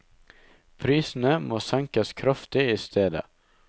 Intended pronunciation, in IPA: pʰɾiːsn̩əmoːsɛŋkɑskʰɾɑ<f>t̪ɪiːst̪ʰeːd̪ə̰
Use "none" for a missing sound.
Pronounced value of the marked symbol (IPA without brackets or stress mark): f